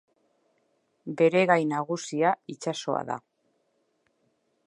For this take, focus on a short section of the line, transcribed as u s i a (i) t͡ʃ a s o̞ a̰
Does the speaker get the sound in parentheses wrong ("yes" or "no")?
no